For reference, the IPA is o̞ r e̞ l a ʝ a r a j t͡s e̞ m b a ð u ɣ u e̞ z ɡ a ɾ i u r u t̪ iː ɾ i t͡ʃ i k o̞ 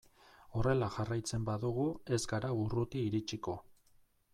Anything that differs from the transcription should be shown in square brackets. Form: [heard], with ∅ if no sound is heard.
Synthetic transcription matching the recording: o̞ r e̞ l a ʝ a r a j t͡s e̞ m b a ð u ɣ u e̞ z ɡ a ɾ [a] u r u t̪ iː ɾ i t͡ʃ i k o̞